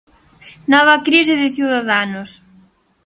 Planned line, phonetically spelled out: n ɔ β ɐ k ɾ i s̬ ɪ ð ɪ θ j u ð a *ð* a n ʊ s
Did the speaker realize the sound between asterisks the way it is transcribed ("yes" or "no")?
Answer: yes